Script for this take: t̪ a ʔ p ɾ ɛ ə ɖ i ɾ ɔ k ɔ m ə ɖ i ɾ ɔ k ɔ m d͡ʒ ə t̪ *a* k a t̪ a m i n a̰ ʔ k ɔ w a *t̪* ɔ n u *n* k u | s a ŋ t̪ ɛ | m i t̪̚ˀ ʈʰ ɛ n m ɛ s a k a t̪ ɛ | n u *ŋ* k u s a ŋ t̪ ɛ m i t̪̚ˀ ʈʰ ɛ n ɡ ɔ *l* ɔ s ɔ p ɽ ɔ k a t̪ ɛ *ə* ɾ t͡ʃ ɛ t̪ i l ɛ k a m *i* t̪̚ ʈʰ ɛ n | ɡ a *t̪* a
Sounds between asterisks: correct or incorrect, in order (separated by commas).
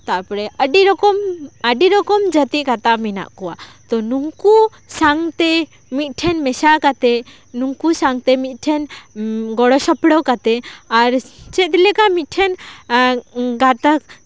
incorrect, correct, incorrect, correct, incorrect, incorrect, correct, correct